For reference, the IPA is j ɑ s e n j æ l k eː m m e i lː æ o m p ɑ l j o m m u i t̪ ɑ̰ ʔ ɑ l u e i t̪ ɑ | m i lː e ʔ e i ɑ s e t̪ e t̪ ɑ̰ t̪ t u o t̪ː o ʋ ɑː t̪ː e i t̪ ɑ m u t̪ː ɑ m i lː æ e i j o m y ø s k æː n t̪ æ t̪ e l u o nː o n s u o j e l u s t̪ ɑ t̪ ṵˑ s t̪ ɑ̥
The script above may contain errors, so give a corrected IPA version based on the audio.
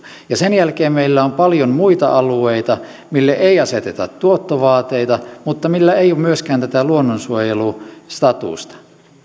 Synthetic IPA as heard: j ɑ s e n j æ l k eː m m e i lː æ o m p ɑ l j o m m u i t̪ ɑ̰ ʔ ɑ l u e i t̪ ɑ | m i lː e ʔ e i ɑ s e t̪ e t̪ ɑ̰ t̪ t u o t̪ː o ʋ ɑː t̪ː e i t̪ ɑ m u t̪ː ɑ m i lː æ e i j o m y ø s k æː n t̪ æ t̪ æ l u o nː o n s u o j e l u s t̪ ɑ t̪ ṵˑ s t̪ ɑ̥